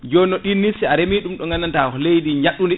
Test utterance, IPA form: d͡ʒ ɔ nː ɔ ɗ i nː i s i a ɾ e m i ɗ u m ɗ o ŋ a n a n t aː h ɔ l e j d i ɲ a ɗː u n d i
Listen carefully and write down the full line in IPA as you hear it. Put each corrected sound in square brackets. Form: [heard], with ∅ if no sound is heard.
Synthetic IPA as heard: d͡ʒ ɔ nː ɔ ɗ i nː i s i a ɾ e m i ɗ u m ɗ [ɔ] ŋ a n a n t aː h ɔ l e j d i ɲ a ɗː u n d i